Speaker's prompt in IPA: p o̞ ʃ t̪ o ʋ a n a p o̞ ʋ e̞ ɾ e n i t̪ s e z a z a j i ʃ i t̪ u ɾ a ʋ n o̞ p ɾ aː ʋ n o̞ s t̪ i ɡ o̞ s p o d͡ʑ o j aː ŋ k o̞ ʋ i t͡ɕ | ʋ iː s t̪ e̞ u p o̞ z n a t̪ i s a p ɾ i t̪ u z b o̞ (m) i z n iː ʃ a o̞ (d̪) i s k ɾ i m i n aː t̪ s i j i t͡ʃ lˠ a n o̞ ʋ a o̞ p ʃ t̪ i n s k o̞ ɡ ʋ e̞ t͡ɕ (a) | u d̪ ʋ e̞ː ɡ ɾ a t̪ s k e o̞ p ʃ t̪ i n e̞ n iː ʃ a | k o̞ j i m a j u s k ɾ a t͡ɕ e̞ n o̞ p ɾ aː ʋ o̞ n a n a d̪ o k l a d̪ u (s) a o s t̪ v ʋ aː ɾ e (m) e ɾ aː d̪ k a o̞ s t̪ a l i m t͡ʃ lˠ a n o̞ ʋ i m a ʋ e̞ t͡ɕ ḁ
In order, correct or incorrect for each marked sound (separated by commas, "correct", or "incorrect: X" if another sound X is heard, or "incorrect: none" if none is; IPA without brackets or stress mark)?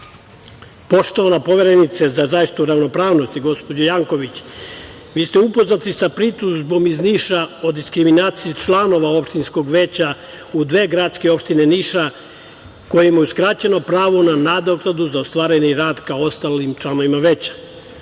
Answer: correct, correct, correct, incorrect: z, incorrect: ɲ